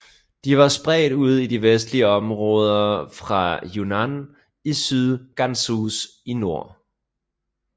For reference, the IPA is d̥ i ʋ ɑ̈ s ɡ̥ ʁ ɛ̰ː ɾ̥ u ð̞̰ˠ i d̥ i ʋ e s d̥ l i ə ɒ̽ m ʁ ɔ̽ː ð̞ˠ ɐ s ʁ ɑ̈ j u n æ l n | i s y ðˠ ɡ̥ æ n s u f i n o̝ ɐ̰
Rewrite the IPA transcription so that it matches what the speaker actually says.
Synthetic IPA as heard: d̥ i ʋ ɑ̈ s b̥ ʁ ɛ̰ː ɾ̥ u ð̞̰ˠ i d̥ i ʋ e s d̥ l i ə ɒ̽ m ʁ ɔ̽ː ð̞ˠ ɐ f ʁ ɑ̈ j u n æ n | i s y ðˠ ɡ̥ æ n s u s i n o̝ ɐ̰